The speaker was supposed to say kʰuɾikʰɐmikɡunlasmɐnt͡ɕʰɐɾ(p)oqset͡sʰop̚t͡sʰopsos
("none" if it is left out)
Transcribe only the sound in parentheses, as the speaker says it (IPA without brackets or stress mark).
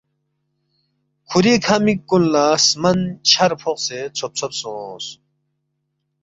pʰ